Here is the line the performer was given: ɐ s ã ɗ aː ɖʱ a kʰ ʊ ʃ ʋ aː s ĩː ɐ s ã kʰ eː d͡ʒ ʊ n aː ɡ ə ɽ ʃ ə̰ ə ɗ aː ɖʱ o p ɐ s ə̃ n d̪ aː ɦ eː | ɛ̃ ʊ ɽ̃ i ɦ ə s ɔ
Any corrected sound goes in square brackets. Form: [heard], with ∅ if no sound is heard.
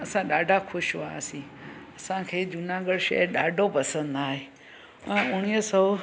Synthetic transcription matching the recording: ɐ s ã ɗ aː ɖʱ a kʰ ʊ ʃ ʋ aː s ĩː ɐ s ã kʰ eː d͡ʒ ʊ n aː ɡ ə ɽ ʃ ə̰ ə ɗ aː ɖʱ o p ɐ s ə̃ n d̪ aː ɦ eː | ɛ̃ ʊ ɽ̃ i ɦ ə s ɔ